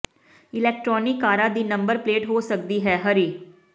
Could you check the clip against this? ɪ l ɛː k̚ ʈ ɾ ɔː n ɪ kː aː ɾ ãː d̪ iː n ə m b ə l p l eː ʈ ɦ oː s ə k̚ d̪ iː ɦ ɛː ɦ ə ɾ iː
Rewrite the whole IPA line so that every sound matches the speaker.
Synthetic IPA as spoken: ɪ l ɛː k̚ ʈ ɾ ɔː n ɪ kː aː ɾ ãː d̪ iː n ə m b ə ɾ p l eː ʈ ɦ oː s ə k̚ d̪ iː ɦ ɛː ɦ ə ɾ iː